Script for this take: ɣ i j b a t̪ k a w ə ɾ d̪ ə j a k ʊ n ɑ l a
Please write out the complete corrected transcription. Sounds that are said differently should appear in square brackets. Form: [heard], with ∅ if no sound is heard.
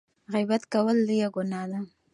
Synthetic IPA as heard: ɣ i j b a t̪ k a w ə [l] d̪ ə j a [ɡ] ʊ n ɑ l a